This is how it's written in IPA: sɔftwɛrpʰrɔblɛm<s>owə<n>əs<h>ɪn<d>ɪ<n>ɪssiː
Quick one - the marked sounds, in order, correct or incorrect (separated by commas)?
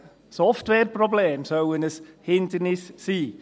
correct, correct, correct, correct, correct